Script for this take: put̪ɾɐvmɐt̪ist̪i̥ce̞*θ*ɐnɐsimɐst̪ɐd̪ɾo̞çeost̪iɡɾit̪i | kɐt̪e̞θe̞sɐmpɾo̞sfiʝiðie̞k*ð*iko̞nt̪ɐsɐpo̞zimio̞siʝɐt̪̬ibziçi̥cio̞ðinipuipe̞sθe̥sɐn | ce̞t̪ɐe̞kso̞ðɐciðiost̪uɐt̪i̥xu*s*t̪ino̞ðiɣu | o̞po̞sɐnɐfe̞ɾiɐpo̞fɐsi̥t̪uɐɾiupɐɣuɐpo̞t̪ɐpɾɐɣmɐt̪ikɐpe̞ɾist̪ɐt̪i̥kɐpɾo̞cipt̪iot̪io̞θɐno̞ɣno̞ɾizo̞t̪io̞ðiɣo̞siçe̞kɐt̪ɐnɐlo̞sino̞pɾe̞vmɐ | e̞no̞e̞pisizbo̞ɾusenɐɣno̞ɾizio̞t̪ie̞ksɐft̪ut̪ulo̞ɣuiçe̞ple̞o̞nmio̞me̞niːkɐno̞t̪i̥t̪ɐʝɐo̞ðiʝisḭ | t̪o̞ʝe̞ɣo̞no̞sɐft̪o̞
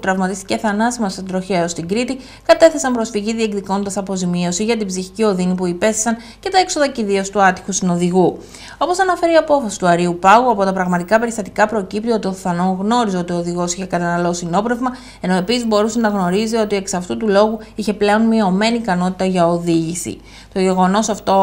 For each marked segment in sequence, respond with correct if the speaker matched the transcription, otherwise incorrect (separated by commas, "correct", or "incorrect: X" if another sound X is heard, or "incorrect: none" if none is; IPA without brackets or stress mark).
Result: correct, correct, correct